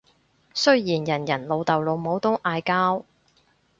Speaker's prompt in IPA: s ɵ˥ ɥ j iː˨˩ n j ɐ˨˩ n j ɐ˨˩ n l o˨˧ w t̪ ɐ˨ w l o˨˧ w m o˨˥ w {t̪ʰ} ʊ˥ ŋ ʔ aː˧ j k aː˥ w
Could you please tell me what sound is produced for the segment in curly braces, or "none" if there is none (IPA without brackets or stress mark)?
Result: t̪